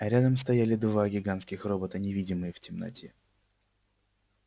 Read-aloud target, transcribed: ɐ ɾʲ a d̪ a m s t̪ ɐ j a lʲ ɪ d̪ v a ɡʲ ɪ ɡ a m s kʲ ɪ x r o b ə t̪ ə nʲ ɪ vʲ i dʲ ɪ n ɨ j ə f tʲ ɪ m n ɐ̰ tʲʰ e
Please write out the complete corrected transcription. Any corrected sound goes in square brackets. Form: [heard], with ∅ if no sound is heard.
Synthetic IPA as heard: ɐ ɾʲ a d̪ [ə] m s t̪ ɐ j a lʲ ɪ d̪ v a ɡʲ ɪ ɡ a [n] s kʲ ɪ x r o b ə t̪ ə nʲ ɪ vʲ i dʲ ɪ [m] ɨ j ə f tʲ ɪ m n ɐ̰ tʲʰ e